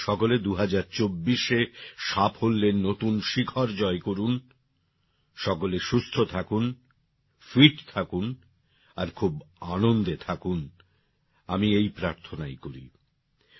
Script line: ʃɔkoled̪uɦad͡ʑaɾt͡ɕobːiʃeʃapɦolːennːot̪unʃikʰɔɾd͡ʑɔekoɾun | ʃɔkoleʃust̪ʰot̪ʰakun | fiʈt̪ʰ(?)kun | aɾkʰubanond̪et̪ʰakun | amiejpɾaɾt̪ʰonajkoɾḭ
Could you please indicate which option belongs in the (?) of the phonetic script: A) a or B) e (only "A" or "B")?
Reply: A